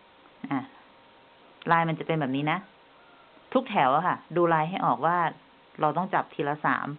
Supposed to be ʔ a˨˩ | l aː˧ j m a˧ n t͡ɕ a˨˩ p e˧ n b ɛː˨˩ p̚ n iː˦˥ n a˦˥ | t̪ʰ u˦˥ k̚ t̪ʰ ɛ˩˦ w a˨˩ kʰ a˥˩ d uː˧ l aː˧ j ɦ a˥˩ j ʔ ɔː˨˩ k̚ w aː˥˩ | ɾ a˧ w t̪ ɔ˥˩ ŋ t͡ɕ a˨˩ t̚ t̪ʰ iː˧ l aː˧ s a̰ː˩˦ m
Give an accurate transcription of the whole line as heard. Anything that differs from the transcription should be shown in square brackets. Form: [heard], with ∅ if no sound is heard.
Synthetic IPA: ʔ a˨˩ | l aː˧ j m a˧ n t͡ɕ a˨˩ p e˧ n b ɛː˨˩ p̚ n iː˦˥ n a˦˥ | t̪ʰ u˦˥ k̚ t̪ʰ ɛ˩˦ w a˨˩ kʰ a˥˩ d uː˧ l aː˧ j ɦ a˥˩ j ʔ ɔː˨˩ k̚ w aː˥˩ | ɾ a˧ w t̪ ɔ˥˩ ŋ t͡ɕ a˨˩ [p̚] t̪ʰ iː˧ l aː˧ s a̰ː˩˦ m